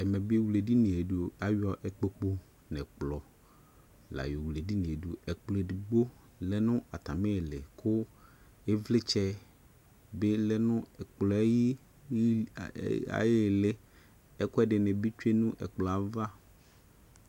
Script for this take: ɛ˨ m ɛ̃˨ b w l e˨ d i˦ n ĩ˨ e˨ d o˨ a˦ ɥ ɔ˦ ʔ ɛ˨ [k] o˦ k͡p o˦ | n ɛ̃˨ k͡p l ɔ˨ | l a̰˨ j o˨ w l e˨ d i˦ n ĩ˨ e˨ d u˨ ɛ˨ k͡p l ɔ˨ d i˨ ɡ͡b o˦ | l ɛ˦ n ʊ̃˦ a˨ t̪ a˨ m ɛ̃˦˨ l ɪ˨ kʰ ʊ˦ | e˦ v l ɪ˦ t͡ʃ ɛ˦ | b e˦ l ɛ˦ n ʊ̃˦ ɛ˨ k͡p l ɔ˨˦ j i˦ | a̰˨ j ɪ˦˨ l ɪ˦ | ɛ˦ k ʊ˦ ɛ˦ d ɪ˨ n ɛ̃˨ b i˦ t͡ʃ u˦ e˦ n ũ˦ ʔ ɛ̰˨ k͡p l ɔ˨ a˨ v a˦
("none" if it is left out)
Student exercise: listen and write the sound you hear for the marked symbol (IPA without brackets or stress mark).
k͡p